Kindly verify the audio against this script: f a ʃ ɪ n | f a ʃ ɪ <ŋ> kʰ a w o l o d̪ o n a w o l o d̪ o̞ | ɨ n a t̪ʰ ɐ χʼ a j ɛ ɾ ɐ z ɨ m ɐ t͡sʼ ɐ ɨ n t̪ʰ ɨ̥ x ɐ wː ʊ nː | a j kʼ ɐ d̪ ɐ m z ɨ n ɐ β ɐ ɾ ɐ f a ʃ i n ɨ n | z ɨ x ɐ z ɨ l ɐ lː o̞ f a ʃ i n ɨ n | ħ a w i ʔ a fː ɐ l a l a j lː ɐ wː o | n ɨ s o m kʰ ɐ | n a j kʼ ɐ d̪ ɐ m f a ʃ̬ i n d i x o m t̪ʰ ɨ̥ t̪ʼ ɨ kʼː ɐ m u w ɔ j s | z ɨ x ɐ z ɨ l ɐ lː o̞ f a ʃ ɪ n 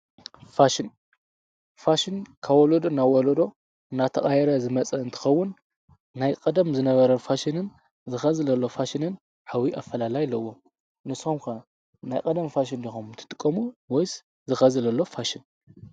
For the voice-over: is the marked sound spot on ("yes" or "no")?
no